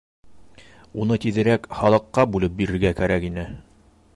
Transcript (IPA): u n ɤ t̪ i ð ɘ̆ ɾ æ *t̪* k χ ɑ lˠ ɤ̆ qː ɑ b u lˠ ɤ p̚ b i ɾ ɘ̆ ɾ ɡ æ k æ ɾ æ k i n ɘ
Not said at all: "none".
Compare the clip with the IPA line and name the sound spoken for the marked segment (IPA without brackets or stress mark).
none